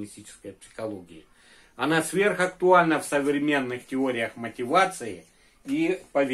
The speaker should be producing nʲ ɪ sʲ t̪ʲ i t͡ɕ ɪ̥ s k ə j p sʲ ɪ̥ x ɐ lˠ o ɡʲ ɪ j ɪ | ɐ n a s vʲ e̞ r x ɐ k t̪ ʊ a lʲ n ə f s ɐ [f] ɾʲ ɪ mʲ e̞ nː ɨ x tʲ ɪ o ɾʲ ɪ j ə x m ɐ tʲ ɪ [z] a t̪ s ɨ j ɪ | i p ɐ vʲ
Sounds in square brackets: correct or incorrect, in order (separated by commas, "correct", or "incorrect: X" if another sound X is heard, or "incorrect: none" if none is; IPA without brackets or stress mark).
incorrect: v, incorrect: v